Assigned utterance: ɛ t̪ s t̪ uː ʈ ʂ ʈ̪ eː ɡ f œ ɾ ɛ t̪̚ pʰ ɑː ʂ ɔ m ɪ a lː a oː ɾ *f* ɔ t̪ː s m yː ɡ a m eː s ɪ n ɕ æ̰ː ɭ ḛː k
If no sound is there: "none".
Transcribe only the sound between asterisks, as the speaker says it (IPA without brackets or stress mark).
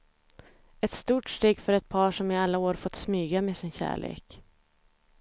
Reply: f